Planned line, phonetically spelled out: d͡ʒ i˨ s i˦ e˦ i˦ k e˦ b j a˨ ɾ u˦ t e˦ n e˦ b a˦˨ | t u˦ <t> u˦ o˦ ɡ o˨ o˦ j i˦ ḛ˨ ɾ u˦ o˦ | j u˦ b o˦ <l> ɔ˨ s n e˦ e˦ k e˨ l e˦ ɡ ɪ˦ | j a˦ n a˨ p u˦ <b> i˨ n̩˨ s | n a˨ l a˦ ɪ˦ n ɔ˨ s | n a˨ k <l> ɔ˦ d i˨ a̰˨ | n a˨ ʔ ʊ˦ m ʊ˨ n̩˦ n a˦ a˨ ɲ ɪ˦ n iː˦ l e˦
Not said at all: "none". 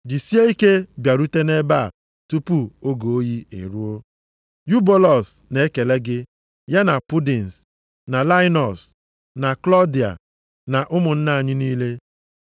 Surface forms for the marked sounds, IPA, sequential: p, l, d, l

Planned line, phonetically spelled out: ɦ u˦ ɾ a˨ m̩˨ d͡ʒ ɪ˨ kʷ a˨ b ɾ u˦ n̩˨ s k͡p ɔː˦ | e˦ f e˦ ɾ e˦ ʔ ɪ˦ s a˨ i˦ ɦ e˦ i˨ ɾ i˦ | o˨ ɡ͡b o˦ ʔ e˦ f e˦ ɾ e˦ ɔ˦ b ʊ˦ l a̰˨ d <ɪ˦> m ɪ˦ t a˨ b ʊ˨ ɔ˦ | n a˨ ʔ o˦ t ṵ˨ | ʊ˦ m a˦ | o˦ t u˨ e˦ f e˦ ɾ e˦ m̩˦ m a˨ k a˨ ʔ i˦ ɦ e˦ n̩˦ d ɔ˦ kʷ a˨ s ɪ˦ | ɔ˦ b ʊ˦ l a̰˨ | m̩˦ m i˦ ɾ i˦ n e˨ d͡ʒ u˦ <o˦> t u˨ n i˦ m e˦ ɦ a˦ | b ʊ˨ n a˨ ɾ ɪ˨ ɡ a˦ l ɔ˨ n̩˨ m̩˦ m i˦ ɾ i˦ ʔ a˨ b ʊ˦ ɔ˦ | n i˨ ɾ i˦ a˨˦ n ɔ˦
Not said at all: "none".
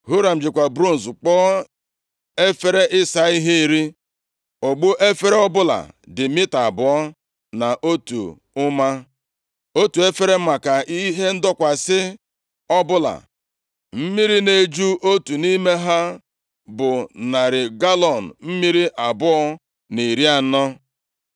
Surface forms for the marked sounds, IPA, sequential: ɪ˨, o˦

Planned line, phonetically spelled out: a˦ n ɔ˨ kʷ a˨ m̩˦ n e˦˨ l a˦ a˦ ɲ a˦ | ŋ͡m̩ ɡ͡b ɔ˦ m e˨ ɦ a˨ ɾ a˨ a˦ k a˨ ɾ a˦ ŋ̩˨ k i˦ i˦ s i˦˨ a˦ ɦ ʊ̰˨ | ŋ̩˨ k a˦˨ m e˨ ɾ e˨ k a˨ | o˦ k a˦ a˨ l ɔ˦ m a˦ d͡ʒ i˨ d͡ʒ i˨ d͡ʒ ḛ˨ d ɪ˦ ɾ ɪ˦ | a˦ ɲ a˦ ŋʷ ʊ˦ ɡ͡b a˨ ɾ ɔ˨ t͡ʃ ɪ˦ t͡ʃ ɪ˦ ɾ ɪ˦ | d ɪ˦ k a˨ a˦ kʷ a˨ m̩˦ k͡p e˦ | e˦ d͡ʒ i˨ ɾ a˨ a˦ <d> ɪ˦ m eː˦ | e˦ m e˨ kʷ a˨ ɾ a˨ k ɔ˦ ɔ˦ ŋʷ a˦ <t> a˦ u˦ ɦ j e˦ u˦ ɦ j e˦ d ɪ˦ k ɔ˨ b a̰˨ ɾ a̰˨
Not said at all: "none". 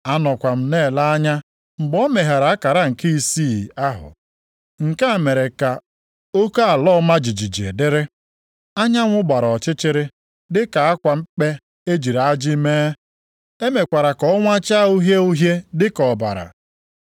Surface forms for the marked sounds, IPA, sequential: d͡ʒ, t͡ʃ

